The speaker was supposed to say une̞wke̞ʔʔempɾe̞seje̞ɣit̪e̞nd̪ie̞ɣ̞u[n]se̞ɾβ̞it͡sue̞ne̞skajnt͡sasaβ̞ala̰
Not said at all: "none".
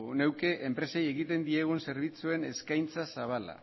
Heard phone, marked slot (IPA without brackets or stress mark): n